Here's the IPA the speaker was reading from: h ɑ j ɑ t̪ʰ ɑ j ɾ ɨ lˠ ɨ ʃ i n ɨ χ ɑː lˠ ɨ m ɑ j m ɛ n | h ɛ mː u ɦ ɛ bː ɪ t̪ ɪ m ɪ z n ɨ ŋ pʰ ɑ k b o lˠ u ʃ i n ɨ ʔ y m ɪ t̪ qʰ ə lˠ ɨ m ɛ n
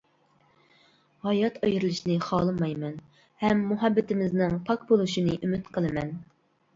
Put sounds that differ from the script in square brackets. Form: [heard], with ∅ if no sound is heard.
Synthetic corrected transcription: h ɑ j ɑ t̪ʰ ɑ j ɾ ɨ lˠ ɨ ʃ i n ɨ χ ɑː lˠ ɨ m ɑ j m ɛ n | h ɛ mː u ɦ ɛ bː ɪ t̪ ɪ m ɪ z n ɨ ŋ pʰ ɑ k b o lˠ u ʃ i n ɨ ʔ y m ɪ t̪ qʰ ə lˠ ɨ m ɛ n